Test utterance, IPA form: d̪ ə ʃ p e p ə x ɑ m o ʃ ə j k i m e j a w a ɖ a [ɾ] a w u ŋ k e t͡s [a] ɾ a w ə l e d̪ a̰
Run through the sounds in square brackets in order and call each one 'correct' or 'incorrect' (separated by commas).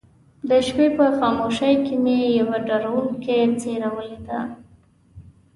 correct, incorrect